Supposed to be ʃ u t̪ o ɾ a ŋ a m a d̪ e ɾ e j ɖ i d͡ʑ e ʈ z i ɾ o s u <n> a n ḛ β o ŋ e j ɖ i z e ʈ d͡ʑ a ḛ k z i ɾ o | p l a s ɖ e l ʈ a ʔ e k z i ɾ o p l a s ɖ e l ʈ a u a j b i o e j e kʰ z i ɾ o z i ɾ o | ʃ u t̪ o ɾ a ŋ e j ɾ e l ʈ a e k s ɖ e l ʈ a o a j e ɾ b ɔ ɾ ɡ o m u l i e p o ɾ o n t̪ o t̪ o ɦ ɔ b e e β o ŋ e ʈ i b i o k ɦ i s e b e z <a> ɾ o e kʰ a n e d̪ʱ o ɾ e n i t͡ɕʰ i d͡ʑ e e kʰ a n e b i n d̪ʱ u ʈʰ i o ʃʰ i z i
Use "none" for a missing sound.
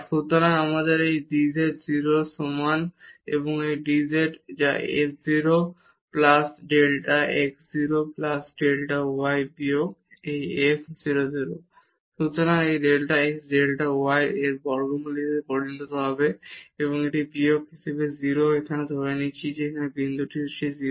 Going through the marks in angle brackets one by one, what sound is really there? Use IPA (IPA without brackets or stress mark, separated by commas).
m, i